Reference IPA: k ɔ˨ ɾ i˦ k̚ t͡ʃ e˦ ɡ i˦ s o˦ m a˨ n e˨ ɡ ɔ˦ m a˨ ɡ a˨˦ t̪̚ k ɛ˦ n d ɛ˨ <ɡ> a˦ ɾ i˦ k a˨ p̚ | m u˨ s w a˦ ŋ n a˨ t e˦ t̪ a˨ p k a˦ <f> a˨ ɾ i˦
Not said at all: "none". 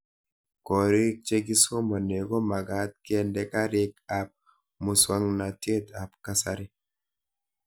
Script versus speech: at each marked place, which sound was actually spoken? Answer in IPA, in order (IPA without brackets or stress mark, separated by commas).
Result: k, s